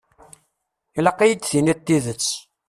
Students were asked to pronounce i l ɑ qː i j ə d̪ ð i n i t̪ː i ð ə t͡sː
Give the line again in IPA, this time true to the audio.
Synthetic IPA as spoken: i l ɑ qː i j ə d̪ θ i n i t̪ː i ð ə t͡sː